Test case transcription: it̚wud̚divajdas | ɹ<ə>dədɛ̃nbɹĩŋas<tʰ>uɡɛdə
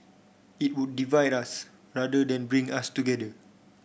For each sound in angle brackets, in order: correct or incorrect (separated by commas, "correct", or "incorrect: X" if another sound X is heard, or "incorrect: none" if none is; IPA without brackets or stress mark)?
incorrect: a, incorrect: t